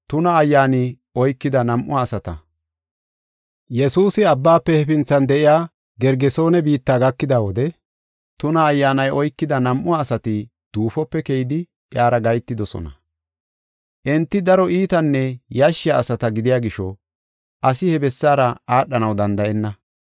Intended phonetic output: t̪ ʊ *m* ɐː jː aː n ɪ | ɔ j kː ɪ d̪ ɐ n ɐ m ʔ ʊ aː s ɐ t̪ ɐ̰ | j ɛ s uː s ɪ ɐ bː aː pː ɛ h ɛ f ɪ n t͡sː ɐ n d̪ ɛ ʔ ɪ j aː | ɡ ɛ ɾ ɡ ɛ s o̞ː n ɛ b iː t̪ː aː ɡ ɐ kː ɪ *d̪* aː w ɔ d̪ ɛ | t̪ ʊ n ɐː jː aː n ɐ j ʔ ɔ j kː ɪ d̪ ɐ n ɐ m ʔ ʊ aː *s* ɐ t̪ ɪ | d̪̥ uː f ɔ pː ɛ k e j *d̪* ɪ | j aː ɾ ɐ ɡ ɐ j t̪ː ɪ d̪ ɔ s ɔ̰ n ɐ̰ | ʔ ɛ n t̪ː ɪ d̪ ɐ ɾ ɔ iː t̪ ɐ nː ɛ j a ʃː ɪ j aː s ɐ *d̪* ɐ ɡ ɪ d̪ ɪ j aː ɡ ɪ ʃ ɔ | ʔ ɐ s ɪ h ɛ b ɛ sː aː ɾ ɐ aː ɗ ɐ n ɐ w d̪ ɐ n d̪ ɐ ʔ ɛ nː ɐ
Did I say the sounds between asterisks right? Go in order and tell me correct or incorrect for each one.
incorrect, correct, correct, correct, incorrect

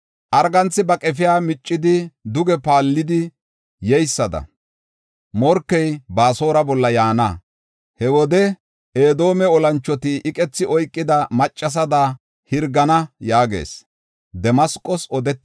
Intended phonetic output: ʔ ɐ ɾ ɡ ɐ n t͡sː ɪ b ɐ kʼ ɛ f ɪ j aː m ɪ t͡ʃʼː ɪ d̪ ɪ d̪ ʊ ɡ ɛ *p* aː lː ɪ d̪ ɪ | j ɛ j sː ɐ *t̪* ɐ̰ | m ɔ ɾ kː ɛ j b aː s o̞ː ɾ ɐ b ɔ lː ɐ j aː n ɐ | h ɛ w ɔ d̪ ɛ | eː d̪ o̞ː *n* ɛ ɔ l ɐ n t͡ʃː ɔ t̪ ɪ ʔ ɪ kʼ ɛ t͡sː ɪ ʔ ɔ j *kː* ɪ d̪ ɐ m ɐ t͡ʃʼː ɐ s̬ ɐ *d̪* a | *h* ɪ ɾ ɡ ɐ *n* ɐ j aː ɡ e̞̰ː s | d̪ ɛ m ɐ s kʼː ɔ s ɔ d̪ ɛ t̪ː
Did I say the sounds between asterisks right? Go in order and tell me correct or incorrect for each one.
correct, incorrect, incorrect, incorrect, correct, correct, correct

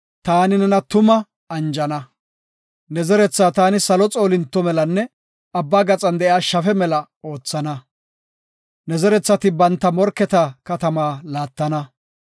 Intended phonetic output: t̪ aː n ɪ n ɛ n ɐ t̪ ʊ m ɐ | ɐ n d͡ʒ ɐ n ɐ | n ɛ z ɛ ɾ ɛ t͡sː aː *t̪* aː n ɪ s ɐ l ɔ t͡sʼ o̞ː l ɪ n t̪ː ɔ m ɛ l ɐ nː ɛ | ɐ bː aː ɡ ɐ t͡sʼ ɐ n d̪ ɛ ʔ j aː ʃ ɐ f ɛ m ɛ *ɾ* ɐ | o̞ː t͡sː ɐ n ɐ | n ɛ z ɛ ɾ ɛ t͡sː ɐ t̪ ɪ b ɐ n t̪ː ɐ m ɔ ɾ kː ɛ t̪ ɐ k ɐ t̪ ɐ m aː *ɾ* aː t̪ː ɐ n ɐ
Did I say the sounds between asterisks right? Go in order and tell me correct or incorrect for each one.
correct, incorrect, incorrect

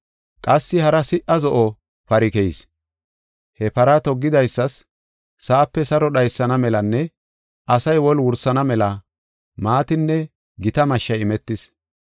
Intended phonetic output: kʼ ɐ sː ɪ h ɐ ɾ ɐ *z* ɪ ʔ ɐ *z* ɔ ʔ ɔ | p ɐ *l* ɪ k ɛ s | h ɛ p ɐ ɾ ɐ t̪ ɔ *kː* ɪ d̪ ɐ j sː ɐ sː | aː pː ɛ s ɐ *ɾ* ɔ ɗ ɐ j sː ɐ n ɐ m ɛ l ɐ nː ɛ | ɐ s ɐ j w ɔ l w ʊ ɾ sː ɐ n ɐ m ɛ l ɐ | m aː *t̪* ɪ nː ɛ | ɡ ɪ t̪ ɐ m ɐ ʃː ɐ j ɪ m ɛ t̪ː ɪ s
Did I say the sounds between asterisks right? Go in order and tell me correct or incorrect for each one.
incorrect, correct, incorrect, incorrect, correct, correct

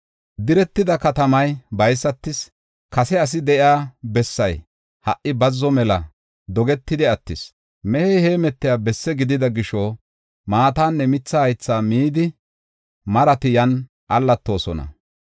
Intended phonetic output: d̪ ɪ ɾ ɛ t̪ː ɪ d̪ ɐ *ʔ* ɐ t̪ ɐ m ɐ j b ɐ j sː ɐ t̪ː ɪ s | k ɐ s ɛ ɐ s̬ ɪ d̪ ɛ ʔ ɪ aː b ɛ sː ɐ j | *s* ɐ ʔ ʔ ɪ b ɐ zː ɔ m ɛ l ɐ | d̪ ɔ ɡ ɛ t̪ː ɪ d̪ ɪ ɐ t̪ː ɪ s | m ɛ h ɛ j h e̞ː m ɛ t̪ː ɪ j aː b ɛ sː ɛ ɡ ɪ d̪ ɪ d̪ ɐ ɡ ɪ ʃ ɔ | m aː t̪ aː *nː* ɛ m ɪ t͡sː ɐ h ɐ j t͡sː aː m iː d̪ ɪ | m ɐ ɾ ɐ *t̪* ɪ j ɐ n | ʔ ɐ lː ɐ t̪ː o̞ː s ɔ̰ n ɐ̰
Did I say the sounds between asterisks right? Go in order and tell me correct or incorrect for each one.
incorrect, incorrect, correct, correct

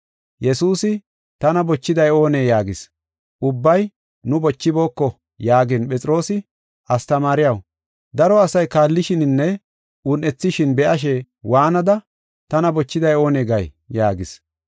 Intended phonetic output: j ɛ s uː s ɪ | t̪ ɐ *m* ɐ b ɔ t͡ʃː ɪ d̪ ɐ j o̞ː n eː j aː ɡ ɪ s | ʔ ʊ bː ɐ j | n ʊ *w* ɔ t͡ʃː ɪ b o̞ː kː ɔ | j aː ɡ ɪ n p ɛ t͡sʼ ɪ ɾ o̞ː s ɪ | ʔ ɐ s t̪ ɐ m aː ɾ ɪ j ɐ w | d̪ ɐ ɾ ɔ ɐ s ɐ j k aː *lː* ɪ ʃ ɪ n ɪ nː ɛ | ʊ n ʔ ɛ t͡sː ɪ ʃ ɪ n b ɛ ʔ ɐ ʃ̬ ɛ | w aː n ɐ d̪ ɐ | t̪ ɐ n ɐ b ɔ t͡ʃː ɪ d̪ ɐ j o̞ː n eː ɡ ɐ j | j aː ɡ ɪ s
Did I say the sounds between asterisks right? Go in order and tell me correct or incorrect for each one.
incorrect, incorrect, correct

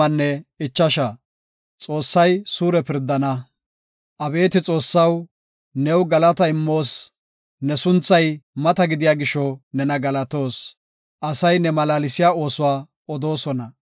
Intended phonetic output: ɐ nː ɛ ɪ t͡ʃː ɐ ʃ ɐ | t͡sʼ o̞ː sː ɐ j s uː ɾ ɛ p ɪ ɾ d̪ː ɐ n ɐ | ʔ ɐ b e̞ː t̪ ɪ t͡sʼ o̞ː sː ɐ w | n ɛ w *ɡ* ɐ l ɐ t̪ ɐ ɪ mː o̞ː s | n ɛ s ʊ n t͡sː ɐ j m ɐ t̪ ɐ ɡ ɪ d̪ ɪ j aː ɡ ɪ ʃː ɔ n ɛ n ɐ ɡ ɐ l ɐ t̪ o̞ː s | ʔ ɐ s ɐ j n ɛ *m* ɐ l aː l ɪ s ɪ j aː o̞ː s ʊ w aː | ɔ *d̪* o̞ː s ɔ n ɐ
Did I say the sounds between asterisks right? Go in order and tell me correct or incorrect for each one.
correct, correct, correct

